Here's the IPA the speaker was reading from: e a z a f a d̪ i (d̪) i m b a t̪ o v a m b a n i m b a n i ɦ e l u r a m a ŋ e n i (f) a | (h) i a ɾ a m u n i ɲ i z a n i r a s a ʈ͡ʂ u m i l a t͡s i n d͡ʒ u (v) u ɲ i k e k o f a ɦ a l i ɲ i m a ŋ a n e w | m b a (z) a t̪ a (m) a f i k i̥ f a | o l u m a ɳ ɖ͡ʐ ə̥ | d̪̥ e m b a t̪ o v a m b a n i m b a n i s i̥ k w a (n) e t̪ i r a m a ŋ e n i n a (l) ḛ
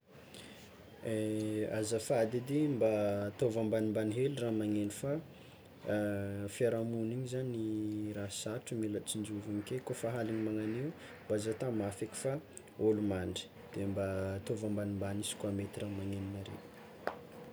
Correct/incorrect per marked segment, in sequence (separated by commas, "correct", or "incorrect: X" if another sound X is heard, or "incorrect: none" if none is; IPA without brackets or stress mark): correct, correct, incorrect: f, correct, correct, correct, incorrect: m, incorrect: ɾ